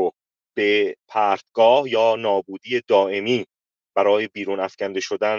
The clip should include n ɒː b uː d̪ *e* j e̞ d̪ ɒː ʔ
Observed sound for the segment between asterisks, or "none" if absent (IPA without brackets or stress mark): i